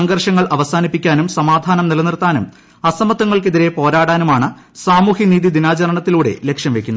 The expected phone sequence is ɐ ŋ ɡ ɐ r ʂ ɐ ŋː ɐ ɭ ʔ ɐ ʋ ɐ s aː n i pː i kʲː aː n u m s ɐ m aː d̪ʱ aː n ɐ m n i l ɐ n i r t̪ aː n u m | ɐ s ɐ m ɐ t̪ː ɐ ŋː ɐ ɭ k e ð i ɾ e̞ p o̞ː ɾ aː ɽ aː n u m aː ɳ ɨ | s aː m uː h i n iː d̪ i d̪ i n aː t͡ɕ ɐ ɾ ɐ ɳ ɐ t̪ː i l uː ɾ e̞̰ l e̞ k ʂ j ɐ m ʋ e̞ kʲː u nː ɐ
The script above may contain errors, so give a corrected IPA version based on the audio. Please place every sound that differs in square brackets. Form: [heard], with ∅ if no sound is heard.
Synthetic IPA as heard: ɐ ŋ ɡ ɐ r ʂ ɐ ŋː ɐ ɭ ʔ ɐ ʋ ɐ s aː n i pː i kʲː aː n u m s ɐ m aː d̪ʱ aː n ɐ m n i l ɐ n i r t̪ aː n u m | ɐ s ɐ m ɐ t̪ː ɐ ŋː ɐ ɭ k e ð i ɾ e̞ p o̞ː ɾ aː ɽ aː n u m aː ɳ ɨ | s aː m uː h i n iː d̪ i d̪ i n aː t͡ɕ ɐ ɾ ɐ ɳ ɐ t̪ː i l uː [ɽ] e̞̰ l e̞ k ʂ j ɐ m ʋ e̞ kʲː u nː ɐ